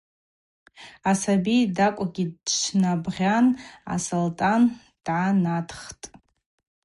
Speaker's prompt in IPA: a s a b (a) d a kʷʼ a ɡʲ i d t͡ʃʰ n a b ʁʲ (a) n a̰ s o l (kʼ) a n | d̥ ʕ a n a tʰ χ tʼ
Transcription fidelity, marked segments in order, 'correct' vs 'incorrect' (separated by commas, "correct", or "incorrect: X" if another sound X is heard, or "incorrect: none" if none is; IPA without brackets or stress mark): incorrect: i, correct, incorrect: tʼ